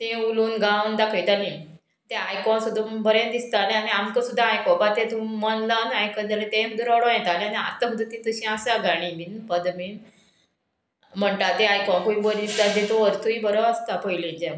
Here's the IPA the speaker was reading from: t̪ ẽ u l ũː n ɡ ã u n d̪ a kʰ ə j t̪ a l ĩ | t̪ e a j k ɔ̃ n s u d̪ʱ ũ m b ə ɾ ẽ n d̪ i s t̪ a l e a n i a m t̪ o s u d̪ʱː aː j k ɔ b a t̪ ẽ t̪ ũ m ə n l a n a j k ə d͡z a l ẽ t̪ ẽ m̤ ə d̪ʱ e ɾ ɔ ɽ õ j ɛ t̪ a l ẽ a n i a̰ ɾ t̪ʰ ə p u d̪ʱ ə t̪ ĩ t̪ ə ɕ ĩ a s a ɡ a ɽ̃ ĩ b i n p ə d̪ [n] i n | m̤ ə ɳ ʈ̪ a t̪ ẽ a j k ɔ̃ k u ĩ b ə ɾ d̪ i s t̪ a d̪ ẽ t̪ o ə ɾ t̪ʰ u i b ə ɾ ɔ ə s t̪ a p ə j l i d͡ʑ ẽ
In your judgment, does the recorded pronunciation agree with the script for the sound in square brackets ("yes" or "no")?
no